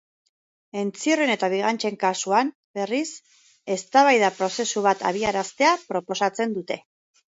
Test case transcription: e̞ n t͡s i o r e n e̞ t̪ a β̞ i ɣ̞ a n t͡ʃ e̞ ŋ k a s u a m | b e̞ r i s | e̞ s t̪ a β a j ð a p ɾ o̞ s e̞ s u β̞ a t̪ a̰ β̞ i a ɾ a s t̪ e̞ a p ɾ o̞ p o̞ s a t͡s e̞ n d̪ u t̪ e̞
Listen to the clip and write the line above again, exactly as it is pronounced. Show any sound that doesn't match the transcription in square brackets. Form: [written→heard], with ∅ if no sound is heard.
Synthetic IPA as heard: e̞ n t͡s i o r e n e̞ t̪ a β̞ i ɣ̞ a n t͡ʃ e̞ ŋ k a s u a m | b e̞ r i s | e̞ s t̪ a β a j ð a p ɾ o̞ s e̞ s u β̞ a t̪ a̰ β̞ i a ɾ a s t̪ e̞ a p ɾ o̞ p o̞ s a t͡s e̞ n d̪ u t̪ e̞